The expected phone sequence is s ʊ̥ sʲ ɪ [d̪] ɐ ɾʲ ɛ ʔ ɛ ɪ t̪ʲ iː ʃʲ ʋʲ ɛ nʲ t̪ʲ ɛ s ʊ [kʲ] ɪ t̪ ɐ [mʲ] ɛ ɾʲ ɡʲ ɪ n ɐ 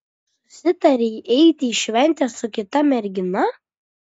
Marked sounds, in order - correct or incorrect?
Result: incorrect: t̪, correct, correct

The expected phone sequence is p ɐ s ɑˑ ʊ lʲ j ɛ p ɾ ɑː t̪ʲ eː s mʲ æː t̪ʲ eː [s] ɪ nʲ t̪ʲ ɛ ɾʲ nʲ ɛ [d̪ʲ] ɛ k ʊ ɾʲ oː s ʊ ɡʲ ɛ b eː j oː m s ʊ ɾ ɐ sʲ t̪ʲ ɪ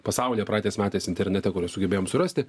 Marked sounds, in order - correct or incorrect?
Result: correct, incorrect: t̪ʲ

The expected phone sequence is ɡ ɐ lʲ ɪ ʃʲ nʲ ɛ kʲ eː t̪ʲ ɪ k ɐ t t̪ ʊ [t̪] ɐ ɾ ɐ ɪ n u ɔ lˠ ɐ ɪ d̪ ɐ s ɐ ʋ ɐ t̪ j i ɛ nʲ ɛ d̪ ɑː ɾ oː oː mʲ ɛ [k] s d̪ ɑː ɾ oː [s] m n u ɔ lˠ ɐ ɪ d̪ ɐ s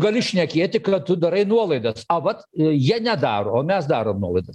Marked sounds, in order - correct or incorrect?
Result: incorrect: d̪, incorrect: none, incorrect: none

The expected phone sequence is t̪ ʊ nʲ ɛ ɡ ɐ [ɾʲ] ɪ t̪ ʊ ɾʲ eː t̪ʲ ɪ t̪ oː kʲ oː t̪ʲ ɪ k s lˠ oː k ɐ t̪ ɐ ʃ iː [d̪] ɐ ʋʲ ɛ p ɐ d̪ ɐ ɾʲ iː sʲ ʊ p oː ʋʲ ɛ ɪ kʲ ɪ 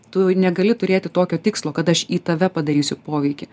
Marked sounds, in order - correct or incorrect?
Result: incorrect: lʲ, incorrect: t̪

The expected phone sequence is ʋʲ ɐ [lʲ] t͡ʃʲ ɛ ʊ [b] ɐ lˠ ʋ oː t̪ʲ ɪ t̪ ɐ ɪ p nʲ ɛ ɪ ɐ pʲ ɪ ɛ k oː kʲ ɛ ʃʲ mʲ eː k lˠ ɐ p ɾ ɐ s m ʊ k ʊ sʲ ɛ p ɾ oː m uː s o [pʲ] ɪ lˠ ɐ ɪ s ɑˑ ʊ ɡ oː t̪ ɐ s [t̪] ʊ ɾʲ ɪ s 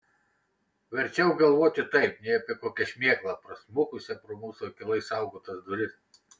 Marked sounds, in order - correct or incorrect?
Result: incorrect: ɾʲ, incorrect: ɡ, incorrect: kʲ, incorrect: d̪

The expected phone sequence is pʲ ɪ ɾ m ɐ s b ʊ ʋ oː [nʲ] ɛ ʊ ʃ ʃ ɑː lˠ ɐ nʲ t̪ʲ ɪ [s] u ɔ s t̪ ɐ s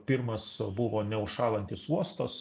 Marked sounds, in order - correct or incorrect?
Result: correct, correct

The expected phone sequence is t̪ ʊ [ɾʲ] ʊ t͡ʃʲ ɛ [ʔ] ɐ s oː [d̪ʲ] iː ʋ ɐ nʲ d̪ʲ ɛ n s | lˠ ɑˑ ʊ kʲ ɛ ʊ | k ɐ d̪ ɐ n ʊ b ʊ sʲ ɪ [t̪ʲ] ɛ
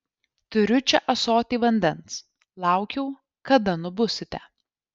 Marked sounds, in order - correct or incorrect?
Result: correct, correct, incorrect: t̪ʲ, correct

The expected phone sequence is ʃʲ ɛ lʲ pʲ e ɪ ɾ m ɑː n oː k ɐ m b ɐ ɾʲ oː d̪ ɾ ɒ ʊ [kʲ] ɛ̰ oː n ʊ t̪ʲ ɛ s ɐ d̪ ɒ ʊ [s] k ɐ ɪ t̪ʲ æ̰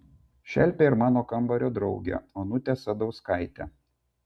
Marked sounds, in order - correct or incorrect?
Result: incorrect: ɡʲ, correct

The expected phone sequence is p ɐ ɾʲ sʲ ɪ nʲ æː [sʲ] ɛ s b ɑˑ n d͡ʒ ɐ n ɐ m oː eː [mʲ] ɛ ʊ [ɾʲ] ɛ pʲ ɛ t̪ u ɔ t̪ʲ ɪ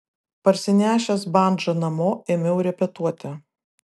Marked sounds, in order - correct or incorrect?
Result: incorrect: ʃʲ, correct, correct

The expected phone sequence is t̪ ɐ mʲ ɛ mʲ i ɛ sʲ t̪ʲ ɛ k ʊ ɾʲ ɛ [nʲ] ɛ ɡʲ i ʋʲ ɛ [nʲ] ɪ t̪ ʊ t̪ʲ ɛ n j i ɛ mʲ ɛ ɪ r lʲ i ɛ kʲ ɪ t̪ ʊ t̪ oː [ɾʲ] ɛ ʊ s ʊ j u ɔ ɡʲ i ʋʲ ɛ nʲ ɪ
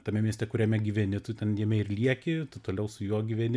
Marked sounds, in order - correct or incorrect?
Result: incorrect: mʲ, correct, incorrect: lʲ

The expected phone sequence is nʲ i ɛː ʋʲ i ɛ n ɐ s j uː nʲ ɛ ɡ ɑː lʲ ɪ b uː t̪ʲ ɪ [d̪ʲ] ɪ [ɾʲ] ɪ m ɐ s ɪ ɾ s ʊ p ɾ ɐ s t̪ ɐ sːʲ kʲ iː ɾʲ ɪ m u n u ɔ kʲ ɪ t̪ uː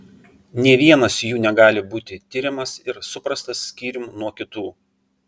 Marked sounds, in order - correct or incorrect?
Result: incorrect: t̪ʲ, correct

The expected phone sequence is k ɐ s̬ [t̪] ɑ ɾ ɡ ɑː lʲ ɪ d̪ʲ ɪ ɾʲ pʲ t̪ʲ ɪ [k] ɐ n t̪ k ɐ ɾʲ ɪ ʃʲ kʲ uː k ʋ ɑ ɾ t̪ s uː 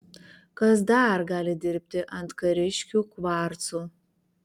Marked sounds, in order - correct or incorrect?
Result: incorrect: d̪, incorrect: ʔ

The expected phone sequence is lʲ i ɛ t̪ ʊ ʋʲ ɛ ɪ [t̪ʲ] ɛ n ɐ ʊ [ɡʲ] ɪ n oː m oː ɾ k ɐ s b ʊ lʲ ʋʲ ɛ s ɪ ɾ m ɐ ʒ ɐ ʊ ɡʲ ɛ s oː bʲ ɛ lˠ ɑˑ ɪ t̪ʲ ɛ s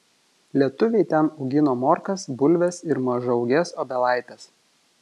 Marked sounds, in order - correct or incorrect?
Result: correct, correct

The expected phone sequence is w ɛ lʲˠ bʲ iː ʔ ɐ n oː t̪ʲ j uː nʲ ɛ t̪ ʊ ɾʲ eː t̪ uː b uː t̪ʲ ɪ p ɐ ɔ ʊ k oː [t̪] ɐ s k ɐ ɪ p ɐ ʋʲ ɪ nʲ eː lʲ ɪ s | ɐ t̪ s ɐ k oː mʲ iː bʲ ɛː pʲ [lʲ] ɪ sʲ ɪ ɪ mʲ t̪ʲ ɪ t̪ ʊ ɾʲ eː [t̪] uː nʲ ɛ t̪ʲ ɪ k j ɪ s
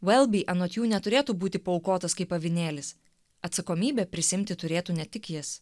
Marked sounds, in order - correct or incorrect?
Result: correct, incorrect: ɾʲ, correct

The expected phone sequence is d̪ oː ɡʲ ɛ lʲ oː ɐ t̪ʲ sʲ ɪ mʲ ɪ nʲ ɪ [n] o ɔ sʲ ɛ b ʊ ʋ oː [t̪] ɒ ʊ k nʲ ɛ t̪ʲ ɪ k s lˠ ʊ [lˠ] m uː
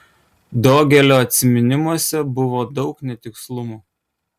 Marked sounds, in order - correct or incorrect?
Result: incorrect: m, incorrect: d̪, incorrect: none

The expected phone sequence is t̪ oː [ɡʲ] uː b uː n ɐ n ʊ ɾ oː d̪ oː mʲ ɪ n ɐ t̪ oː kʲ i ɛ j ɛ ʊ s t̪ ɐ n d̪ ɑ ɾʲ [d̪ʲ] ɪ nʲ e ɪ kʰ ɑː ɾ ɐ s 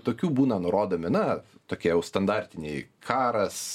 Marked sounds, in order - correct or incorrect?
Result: incorrect: kʲ, incorrect: t̪ʲ

